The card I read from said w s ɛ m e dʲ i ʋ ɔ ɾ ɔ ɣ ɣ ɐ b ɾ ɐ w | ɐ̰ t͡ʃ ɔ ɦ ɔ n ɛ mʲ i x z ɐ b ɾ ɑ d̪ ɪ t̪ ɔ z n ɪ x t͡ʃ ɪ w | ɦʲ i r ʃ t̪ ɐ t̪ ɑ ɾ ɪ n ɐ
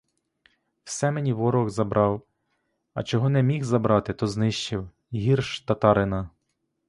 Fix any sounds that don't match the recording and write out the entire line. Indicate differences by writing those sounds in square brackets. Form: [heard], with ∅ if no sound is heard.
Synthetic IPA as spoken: w s ɛ m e [nʲ] i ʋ ɔ ɾ ɔ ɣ [z] ɐ b ɾ [ɑ] w | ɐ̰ t͡ʃ ɔ ɦ ɔ n ɛ mʲ i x z ɐ b ɾ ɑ [t̪] ɪ t̪ ɔ z n ɪ [ʃ] t͡ʃ ɪ w | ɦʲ i r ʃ t̪ ɐ t̪ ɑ ɾ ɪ n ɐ